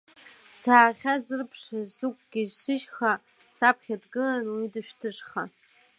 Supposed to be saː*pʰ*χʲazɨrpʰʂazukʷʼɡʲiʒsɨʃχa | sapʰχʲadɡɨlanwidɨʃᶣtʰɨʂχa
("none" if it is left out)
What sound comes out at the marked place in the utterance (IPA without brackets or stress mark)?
none